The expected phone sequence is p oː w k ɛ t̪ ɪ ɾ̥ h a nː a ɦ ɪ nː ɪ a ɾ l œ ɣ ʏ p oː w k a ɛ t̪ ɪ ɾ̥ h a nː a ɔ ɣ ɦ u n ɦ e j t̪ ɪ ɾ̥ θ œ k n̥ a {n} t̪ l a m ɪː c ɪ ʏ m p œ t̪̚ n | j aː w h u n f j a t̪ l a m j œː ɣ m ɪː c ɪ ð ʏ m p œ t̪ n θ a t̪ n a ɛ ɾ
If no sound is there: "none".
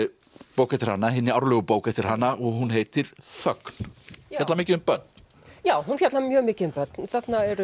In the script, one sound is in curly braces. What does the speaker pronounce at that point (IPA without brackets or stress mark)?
none